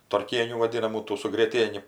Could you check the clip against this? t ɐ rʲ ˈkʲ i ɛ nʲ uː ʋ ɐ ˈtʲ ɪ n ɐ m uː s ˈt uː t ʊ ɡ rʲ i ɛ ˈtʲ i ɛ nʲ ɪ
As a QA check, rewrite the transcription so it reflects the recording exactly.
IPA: t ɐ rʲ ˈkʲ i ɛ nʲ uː ʋ ɐ ˈdʲ ɪ n ɐ m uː ˈt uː s ʊ ɡ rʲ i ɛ ˈtʲ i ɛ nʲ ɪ